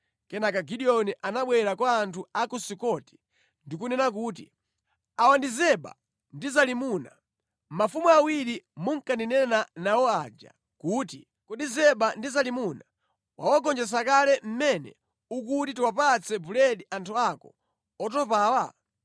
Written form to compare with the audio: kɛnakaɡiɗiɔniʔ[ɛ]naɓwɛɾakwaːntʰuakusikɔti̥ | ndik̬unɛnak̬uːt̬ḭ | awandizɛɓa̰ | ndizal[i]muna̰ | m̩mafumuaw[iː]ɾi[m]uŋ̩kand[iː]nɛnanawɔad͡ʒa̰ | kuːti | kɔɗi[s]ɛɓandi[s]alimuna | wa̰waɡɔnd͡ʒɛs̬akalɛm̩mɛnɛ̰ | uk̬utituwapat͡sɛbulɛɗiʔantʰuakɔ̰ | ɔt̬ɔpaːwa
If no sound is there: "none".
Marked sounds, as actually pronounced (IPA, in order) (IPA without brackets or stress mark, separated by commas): a, i, i, m, i, z, z